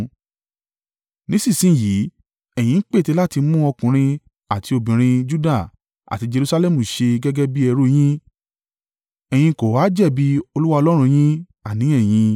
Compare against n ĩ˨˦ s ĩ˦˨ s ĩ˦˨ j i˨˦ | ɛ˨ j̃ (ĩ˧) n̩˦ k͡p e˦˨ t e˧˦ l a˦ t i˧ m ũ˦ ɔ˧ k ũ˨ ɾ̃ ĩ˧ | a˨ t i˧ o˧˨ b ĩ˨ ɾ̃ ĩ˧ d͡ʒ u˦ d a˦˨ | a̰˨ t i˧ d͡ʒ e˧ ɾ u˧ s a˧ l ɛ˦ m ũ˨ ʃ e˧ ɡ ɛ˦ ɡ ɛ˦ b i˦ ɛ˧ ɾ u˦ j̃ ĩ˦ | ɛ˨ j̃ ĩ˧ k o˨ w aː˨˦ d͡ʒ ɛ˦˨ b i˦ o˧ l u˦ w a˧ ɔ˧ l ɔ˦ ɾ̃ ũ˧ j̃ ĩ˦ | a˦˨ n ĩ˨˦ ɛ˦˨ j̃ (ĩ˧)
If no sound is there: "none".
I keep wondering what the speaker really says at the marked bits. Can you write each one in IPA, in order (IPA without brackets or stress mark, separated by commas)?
ĩ˧, ĩ˧